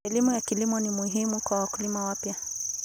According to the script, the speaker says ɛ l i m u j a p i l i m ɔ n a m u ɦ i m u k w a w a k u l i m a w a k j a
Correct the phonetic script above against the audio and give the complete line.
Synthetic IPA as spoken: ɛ l i m u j a k i l i m ɔ n i m u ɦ i m u k w a w a k u l i m a w a p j a